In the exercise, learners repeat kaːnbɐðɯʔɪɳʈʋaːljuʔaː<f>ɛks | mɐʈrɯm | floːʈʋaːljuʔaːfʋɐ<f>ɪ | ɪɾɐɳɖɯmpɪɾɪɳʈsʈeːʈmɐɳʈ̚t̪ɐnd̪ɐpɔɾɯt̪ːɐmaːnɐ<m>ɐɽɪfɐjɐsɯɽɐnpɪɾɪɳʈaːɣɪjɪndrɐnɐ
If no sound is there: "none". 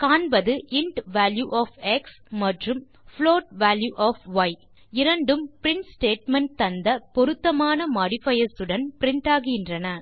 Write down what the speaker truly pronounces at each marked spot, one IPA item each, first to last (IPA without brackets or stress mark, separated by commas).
f, none, m